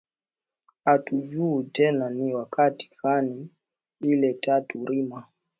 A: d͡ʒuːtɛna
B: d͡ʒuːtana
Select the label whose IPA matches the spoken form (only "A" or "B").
A